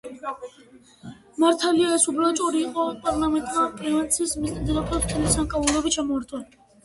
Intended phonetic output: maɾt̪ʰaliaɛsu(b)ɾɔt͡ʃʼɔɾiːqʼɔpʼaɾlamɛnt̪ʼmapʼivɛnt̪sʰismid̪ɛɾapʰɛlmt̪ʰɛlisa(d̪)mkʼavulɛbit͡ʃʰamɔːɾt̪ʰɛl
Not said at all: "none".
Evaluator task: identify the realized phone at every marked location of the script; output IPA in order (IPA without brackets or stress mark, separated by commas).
b, none